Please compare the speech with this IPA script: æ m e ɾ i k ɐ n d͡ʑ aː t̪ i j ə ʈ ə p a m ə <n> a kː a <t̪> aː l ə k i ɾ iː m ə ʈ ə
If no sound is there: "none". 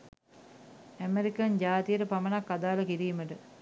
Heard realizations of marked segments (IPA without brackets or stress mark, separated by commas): n, d̪